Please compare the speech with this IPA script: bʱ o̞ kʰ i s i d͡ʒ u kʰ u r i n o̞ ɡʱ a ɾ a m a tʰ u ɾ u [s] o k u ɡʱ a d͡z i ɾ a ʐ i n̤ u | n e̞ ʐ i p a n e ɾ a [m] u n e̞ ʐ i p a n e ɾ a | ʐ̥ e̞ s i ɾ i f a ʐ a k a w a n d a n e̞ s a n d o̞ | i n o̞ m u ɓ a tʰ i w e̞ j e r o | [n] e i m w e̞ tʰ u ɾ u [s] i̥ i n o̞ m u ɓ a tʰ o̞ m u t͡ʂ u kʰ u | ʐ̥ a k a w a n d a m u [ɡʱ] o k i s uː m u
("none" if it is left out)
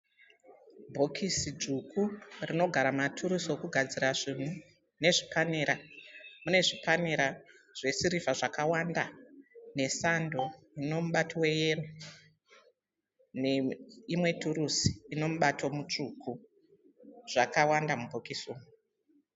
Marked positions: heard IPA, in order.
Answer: s, m, n, s, bʱ

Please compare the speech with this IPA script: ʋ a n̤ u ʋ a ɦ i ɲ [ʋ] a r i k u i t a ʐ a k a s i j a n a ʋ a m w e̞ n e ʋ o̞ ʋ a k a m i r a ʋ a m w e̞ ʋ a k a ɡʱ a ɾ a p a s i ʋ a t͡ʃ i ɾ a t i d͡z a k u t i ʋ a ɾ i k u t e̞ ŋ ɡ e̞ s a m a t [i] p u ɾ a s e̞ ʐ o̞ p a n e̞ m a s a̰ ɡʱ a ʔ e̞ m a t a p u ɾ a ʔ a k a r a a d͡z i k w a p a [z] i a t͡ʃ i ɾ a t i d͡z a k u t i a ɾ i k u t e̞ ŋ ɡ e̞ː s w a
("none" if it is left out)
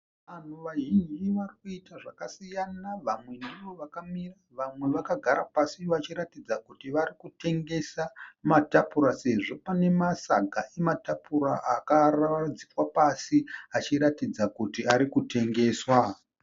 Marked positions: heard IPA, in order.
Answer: ʋ, a, s

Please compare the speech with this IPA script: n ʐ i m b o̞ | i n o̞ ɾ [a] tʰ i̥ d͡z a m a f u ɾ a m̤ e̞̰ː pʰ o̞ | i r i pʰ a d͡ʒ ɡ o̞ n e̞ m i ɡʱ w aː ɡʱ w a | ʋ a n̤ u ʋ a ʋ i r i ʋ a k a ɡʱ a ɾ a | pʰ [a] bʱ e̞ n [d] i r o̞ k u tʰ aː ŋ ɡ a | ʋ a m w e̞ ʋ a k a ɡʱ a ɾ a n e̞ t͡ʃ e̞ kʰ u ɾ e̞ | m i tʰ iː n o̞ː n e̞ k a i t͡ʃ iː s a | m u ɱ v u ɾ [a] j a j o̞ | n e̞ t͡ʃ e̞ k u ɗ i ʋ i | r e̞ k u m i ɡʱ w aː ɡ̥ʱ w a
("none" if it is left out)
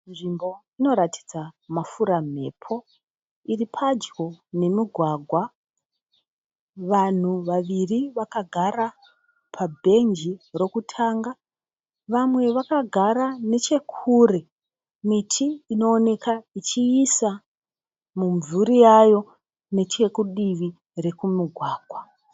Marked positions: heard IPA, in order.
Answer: a, a, d͡ʒ, i

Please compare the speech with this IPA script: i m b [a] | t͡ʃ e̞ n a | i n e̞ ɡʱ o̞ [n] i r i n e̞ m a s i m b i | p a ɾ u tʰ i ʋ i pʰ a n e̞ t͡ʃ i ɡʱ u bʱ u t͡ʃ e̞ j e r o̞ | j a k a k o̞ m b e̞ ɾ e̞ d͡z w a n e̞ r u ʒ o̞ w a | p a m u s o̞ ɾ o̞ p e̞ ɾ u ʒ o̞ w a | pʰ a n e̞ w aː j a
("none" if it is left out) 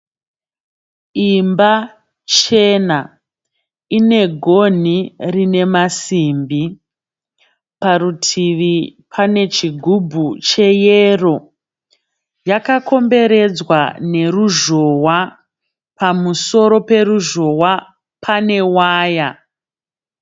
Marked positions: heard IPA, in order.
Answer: a, n

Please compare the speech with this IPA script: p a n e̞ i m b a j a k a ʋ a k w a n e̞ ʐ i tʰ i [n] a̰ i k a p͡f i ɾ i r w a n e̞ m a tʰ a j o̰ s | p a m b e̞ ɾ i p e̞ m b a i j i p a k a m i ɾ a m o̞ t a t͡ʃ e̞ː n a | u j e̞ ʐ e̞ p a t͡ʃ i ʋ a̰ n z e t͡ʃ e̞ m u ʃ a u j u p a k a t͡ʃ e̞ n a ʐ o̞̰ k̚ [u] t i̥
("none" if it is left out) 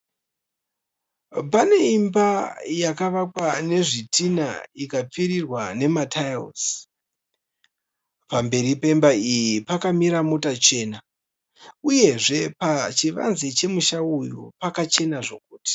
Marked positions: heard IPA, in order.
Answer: n, uː

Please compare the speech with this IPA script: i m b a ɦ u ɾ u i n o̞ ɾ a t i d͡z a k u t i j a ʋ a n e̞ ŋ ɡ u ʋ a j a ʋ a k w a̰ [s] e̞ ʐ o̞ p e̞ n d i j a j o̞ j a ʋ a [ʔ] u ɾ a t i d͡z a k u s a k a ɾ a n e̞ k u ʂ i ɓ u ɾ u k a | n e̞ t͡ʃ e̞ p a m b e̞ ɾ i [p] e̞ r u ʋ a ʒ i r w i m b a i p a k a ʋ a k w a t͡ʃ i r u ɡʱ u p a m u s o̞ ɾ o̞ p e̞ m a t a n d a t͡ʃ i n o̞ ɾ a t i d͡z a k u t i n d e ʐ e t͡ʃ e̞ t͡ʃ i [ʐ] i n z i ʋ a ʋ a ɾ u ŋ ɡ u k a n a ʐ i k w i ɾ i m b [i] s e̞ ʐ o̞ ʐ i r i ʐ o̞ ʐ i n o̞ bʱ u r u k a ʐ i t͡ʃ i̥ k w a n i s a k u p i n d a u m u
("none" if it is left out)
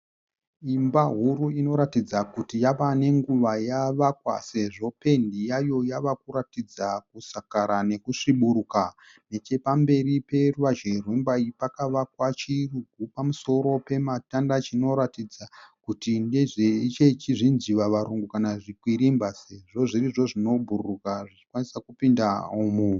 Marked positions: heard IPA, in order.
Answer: s, k, p, ʐ, a

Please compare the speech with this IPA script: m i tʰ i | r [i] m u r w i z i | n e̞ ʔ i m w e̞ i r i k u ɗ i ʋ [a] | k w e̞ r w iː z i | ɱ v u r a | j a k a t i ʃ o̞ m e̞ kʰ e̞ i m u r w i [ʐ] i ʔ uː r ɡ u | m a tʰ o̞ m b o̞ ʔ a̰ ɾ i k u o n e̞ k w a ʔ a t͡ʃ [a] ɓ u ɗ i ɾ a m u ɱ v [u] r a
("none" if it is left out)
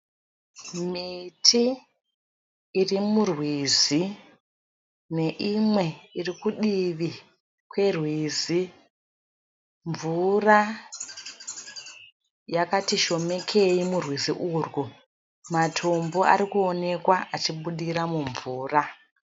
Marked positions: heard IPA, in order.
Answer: i, i, z, i, uː

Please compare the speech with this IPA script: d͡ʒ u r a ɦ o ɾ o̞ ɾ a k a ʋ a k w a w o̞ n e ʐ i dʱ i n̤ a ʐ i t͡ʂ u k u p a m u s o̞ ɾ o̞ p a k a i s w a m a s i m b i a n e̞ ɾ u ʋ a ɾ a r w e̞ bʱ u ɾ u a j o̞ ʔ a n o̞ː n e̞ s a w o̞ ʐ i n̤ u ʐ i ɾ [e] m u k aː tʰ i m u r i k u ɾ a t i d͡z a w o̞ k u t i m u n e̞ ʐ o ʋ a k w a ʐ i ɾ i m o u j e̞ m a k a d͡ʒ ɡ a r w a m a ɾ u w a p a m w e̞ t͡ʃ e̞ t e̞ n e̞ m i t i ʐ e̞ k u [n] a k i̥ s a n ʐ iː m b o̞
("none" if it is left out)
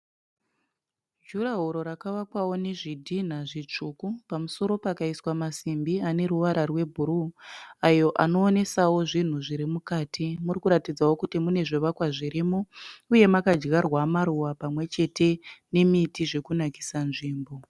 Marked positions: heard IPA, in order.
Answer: i, n

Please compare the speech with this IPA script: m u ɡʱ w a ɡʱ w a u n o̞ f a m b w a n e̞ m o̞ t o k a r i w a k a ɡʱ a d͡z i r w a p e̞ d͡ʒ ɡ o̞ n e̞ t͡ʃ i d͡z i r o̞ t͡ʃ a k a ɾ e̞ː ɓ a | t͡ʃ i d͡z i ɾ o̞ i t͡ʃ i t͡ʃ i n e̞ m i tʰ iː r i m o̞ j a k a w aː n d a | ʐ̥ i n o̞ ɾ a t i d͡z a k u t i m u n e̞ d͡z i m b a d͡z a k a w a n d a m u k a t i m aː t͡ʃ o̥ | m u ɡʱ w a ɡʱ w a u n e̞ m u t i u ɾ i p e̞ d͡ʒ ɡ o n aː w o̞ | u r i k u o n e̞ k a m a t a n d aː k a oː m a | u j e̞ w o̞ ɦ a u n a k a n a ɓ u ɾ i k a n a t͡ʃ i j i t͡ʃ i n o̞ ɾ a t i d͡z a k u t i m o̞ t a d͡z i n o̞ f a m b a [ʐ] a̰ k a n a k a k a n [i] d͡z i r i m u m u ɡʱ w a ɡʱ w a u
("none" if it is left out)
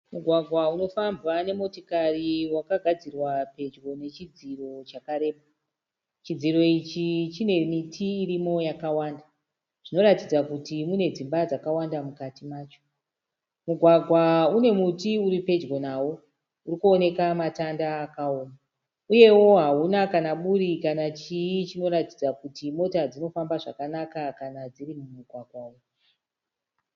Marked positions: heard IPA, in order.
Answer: ʐ, a

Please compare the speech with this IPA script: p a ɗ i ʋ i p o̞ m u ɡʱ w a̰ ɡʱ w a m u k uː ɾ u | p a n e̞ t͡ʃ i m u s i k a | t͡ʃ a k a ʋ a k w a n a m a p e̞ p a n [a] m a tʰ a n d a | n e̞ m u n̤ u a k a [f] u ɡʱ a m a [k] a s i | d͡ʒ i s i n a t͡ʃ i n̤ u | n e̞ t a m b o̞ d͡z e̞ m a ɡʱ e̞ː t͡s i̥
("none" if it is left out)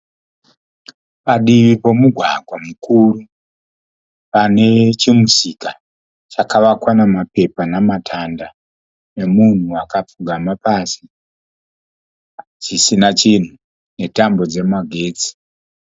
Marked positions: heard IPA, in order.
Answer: a, p͡f, p

